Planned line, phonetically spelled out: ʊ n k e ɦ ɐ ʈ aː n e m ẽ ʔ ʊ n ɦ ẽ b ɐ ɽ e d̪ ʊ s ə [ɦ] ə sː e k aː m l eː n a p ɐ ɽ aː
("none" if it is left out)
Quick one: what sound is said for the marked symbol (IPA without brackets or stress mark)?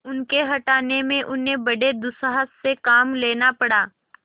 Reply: ɦ